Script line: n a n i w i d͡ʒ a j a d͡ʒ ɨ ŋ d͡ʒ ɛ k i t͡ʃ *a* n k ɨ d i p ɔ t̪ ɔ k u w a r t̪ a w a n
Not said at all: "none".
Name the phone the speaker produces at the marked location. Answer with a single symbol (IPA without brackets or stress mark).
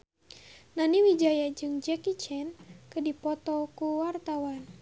ɛ